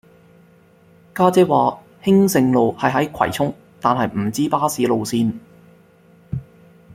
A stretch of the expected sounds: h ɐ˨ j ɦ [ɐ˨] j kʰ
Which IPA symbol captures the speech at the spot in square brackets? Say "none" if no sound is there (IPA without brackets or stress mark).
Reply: ɐ˨˥